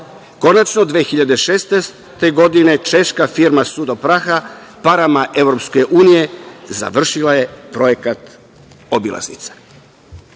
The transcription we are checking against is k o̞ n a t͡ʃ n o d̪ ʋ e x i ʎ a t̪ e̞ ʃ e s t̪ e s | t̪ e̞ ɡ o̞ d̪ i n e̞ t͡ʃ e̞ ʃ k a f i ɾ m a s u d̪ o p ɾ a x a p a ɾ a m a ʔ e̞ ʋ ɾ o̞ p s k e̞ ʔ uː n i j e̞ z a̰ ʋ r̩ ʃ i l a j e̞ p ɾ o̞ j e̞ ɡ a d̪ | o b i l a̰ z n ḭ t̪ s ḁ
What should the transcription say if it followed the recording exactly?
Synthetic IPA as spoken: k o̞ n a t͡ʃ n o d̪ ʋ e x i ʎ a d̪ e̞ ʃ e s t̪ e s | t̪ e̞ ɡ o̞ d̪ i n e̞ t͡ʃ e̞ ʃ k a f i ɾ m a s u d̪ o p ɾ a x a p a ɾ a m a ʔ e̞ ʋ ɾ o̞ p s k e̞ ʔ uː n i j e̞ z a̰ ʋ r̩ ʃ i l a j e̞ p ɾ o̞ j e̞ k a t̪ | o b i l a̰ z n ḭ t̪ s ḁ